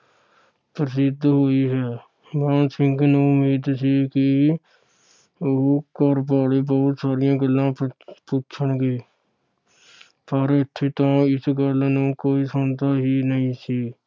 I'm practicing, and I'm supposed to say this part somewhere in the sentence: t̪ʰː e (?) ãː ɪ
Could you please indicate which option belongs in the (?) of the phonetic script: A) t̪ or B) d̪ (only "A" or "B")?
A